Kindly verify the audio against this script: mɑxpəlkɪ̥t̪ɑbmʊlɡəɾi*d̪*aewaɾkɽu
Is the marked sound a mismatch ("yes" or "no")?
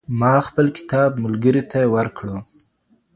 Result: yes